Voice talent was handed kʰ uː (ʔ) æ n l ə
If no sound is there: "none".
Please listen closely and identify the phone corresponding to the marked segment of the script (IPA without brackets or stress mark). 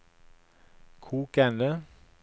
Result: k